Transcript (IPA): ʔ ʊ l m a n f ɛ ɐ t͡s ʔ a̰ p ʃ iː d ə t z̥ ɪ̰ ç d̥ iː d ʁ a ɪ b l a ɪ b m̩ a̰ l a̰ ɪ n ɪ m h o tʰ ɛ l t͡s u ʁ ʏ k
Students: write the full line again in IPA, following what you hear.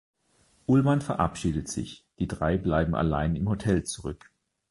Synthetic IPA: ʔ ʊ l m a n f ɛ ɐ ʔ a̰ p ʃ iː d ə t z̥ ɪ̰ ç d̥ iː d ʁ a ɪ b l a ɪ b m̩ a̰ l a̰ ɪ n ɪ m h o tʰ ɛ l t͡s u ʁ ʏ k